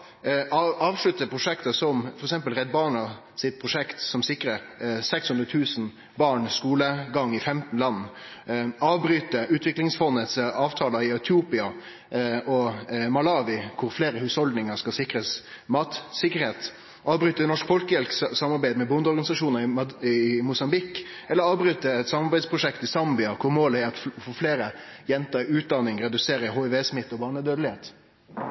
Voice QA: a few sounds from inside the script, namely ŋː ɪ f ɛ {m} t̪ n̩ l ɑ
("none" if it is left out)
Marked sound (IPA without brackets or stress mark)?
m